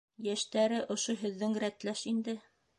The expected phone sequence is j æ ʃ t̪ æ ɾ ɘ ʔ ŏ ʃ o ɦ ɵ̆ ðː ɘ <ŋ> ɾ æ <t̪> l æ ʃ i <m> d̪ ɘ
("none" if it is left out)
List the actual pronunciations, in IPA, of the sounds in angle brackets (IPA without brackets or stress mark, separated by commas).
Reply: ŋ, t̪, n